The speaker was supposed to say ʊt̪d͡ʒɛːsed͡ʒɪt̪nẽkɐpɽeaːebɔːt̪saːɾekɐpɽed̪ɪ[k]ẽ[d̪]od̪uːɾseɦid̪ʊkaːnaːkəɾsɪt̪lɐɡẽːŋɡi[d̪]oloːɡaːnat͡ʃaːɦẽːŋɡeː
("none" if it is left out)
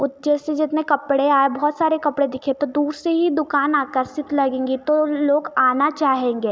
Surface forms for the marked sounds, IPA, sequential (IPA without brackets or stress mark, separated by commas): kʰ, t̪, t̪